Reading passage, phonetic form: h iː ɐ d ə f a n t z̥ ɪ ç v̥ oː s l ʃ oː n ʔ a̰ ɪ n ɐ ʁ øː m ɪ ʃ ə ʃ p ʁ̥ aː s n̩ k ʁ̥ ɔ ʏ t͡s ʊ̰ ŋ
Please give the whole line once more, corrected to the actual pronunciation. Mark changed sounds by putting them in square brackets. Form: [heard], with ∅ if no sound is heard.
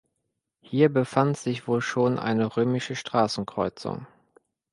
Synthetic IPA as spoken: h iː ɐ [b] ə f a n t z̥ ɪ ç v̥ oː [∅] l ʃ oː n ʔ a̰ ɪ n [ə] ʁ øː m ɪ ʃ ə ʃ [t] ʁ̥ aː s n̩ k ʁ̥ ɔ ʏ t͡s ʊ̰ ŋ

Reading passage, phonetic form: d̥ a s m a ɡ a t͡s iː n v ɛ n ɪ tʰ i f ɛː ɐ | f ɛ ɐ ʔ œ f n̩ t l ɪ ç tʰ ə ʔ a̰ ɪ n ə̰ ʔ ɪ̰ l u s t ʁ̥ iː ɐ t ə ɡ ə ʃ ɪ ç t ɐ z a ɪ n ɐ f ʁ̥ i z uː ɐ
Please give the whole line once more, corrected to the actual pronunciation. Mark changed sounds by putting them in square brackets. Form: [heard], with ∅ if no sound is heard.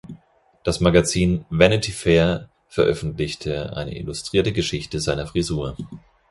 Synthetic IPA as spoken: d̥ a s m a ɡ a t͡s iː n v ɛ n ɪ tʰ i f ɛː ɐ | f ɛ ɐ ʔ œ f n̩ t l ɪ ç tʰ ə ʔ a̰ ɪ n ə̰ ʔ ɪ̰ l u s t ʁ̥ iː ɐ t ə ɡ ə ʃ ɪ ç t [ə] z a ɪ n ɐ f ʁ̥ i z uː ɐ

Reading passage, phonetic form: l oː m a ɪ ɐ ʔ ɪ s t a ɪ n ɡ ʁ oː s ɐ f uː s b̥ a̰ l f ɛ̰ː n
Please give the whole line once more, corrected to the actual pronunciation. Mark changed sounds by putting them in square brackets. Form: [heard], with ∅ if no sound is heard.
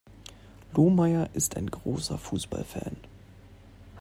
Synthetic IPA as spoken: l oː m a ɪ ɐ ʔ ɪ s t a ɪ n ɡ ʁ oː s ɐ f uː s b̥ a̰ l f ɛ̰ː n

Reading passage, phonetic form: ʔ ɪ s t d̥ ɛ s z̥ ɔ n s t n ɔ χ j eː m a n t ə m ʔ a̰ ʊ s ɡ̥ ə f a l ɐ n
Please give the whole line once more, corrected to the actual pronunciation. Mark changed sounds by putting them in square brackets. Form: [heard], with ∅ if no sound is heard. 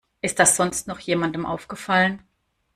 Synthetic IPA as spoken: ʔ ɪ s t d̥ [a] s z̥ ɔ n s t n ɔ χ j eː m a n [d] ə m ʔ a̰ ʊ [f] ɡ̥ ə f a l [ə] n

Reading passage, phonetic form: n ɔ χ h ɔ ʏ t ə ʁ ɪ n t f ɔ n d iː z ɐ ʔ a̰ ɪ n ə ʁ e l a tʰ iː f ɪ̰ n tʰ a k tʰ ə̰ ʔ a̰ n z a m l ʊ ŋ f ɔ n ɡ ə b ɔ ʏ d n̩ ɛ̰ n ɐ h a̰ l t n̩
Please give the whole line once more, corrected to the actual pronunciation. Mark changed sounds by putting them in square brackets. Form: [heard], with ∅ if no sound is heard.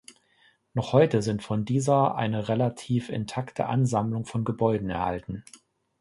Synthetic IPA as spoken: n ɔ χ h ɔ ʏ t ə [z] ɪ n t f ɔ n d iː z ɐ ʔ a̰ ɪ n ə ʁ e l a tʰ iː f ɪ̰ n tʰ a k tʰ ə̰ ʔ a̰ n z a m l ʊ ŋ f ɔ n ɡ ə b ɔ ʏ d n̩ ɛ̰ [∅] ɐ h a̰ l t n̩

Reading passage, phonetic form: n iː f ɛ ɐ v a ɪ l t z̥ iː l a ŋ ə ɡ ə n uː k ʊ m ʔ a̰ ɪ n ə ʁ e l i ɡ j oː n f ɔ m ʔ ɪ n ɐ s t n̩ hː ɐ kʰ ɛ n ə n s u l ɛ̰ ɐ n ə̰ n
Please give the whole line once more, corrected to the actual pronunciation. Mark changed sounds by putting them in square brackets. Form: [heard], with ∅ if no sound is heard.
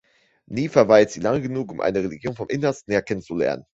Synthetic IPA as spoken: n iː f ɛ ɐ v a ɪ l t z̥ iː l a ŋ ə ɡ ə n uː k ʊ m ʔ a̰ ɪ n ə ʁ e l i ɡ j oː n f ɔ m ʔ ɪ n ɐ s t n̩ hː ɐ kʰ ɛ n ə n [t͡s] u l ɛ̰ ɐ n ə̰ n

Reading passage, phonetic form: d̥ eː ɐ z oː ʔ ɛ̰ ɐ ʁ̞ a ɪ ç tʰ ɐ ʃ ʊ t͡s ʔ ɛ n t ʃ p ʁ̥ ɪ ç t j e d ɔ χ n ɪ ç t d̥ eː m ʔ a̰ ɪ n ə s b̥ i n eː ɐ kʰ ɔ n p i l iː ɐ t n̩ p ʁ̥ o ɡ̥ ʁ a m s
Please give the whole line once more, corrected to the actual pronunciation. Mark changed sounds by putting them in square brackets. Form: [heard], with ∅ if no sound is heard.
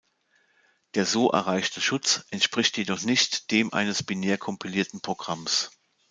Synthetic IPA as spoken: d̥ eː ɐ z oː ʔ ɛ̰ ɐ ʁ̞ a ɪ ç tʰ [ə] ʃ ʊ t͡s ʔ ɛ n t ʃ p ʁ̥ ɪ ç t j e d ɔ χ n ɪ ç t d̥ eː m ʔ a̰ ɪ n ə s b̥ i n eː ɐ kʰ ɔ [m] p i l iː ɐ t n̩ p ʁ̥ o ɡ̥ ʁ a m s

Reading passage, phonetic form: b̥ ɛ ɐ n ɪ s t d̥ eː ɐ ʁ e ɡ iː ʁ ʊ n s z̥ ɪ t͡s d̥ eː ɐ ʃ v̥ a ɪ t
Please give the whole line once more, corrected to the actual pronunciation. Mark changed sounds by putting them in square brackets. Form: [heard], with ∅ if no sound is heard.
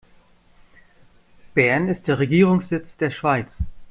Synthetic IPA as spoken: b̥ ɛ ɐ n ɪ s t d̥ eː ɐ ʁ e ɡ iː ʁ ʊ [ŋ] s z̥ ɪ t͡s d̥ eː ɐ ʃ v̥ a ɪ [t͡s]

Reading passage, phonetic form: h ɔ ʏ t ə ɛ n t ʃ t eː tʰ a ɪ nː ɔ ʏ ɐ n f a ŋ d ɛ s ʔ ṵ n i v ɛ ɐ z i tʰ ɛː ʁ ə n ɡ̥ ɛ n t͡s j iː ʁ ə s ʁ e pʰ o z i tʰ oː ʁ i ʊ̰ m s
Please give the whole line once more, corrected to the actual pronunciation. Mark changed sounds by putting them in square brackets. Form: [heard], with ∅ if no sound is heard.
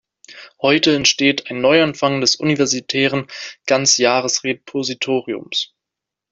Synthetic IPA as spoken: h ɔ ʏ t ə ɛ n t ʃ t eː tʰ a ɪ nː ɔ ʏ [a] n f a ŋ d ɛ s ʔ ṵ n i v ɛ ɐ z i tʰ ɛː ʁ ə n ɡ̥ [a] n t͡s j [aː] ʁ ə s ʁ e pʰ o z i tʰ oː ʁ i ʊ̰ m s

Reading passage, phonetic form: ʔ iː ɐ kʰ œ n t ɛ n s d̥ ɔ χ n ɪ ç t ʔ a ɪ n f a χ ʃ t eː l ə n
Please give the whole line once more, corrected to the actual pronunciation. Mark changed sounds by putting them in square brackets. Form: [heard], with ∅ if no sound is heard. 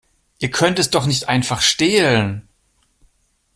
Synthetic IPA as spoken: ʔ iː ɐ kʰ œ n t ɛ [∅] s d̥ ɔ χ n ɪ ç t ʔ a ɪ n f a χ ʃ t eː l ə n

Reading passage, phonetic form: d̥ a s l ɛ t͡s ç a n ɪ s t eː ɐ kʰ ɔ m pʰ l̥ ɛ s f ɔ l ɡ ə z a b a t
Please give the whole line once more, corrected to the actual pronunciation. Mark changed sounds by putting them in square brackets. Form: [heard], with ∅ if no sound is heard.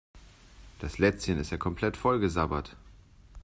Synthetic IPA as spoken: d̥ a s l ɛ t͡s ç [ə] n ɪ s t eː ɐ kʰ ɔ m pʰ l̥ ɛ [t] f ɔ l ɡ ə z a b [ɐ] t

